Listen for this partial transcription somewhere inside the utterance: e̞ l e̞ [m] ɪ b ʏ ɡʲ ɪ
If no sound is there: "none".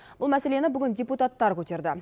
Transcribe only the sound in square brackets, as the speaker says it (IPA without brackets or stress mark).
n